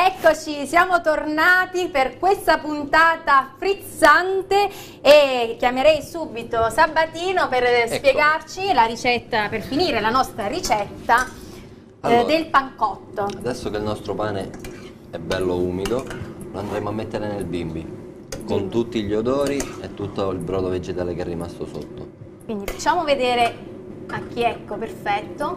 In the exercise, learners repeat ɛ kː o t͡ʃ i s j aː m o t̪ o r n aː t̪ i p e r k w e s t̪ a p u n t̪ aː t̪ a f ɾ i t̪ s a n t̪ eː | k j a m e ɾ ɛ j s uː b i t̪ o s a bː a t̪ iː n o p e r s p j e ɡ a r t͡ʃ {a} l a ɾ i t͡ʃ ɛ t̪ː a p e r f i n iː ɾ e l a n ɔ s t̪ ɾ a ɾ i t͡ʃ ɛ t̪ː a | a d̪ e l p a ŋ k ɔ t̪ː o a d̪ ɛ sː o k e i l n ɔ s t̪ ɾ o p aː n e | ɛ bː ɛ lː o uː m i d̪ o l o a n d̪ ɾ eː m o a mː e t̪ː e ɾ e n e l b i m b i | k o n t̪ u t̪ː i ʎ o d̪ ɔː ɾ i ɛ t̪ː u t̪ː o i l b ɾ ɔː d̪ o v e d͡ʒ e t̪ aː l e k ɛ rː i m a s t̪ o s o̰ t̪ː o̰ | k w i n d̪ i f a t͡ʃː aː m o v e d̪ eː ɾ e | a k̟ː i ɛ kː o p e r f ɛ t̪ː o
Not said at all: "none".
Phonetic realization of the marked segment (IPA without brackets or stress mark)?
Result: i